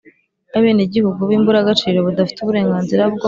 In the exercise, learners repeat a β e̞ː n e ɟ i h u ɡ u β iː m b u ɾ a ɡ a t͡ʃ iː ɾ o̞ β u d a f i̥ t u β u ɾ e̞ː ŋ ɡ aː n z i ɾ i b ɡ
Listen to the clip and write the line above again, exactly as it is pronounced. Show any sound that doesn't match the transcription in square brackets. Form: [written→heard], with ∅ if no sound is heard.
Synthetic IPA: a β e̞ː n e ɟ i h u ɡ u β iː m b u ɾ a ɡ a t͡ʃ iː ɾ o̞ β u d a f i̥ t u β u ɾ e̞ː ŋ ɡ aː n z i ɾ [i→a] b ɡ